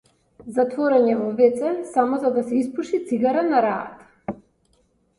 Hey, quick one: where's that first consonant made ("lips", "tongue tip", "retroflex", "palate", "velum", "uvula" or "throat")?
tongue tip